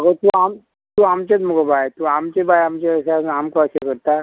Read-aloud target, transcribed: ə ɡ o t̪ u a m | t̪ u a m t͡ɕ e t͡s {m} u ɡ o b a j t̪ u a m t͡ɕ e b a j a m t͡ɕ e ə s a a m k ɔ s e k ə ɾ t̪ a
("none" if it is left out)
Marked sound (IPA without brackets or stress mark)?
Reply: m